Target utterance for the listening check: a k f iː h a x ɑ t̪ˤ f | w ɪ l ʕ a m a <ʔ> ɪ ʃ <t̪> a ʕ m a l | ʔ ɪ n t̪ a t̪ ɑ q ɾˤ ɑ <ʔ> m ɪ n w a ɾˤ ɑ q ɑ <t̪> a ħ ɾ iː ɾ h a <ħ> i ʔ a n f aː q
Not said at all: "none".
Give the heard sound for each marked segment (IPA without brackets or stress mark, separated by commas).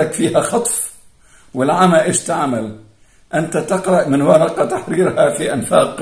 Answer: ʔ, t̪, ʔ, t̪, f